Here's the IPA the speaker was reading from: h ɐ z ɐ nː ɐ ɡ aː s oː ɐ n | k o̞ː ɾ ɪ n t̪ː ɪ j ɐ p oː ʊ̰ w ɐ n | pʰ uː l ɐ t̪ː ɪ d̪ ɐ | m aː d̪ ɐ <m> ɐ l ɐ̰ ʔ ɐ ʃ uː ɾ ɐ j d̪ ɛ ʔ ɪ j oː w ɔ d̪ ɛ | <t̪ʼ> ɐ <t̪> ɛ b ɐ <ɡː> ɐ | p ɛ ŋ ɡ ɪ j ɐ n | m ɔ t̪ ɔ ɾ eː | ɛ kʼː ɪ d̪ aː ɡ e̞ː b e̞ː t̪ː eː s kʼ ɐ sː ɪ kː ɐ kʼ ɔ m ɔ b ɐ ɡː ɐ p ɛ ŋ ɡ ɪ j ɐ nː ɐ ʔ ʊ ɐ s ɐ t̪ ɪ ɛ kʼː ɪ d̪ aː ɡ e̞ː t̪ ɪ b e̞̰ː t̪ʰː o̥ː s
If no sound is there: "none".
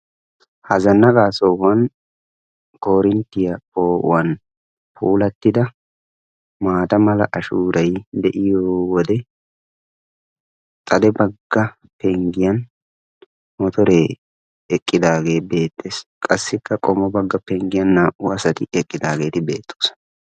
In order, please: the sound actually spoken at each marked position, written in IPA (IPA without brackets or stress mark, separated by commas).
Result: m, t̪ʼ, d̪, ɡː